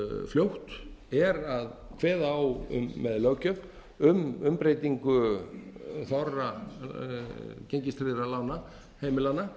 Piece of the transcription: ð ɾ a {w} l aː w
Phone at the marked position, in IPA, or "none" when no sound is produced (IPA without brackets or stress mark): none